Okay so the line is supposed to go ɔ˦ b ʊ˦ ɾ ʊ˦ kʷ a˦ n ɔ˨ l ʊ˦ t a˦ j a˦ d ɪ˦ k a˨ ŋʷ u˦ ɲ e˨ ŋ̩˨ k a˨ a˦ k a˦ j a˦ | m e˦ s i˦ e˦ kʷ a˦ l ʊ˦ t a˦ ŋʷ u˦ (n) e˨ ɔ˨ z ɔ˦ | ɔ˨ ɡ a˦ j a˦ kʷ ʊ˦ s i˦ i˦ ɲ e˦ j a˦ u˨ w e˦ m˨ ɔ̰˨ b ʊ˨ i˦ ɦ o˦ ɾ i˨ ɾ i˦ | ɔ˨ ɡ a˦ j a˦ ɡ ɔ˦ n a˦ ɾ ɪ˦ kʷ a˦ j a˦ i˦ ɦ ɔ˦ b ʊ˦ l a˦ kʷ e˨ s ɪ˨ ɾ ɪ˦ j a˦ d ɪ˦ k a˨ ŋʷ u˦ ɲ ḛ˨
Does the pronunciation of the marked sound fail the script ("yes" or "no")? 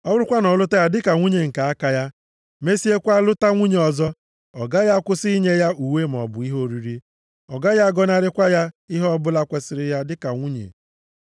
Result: yes